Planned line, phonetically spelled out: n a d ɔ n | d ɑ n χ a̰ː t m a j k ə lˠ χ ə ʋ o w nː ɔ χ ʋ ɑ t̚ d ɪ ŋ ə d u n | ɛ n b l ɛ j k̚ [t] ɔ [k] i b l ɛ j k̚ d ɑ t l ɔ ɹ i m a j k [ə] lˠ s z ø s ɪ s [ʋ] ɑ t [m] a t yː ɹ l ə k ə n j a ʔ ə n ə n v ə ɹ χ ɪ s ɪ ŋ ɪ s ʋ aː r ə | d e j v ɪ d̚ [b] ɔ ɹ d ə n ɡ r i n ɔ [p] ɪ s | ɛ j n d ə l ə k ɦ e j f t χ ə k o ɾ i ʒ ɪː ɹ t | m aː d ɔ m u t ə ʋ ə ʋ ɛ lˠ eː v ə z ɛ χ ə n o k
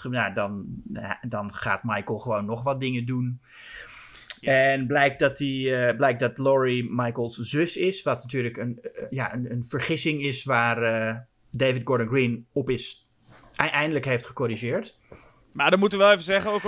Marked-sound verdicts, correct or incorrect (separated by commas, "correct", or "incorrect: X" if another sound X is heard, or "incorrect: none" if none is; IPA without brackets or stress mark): incorrect: d, incorrect: t, correct, correct, incorrect: n, incorrect: ɡ, correct